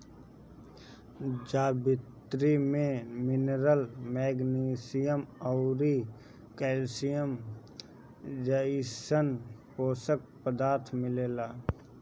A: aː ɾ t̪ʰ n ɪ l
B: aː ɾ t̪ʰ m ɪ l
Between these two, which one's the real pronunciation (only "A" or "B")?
B